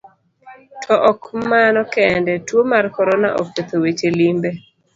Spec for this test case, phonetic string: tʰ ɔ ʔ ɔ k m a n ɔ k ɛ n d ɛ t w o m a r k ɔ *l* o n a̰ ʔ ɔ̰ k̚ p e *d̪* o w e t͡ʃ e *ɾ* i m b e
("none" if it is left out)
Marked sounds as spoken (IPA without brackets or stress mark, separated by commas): ɾ, t̪, l